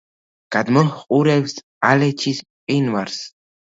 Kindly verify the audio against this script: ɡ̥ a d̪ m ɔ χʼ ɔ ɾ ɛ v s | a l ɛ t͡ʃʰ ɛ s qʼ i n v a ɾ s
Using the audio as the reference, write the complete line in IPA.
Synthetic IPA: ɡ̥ a d̪ m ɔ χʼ u ɾ ɛ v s | a l ɛ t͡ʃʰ i s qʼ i n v a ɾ s